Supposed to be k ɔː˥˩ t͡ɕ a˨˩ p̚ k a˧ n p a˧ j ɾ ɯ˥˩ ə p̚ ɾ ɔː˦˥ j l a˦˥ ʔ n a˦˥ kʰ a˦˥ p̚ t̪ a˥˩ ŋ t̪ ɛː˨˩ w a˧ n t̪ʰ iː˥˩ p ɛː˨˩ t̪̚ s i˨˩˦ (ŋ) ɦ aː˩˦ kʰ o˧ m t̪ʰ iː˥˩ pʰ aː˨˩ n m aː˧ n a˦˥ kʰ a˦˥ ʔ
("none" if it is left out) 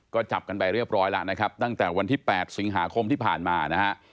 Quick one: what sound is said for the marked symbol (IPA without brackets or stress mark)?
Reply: ŋ